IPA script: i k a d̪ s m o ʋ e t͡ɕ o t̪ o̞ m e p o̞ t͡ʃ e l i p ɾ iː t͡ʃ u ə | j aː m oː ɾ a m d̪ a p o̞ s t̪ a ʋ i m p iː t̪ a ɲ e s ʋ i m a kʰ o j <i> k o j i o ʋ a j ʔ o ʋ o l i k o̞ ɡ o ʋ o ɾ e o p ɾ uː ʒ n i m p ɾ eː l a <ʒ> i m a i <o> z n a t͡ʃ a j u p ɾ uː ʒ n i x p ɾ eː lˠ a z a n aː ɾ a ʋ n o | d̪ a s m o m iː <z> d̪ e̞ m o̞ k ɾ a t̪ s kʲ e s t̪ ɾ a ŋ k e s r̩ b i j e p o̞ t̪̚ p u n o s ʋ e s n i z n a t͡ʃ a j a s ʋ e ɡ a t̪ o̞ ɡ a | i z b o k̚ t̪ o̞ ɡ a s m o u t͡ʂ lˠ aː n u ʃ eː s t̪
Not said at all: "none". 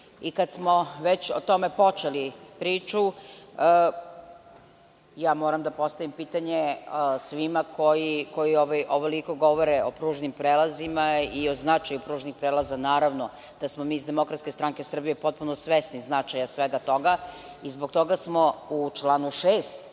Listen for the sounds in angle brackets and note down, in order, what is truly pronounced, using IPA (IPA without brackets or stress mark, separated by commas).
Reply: i, z, o, z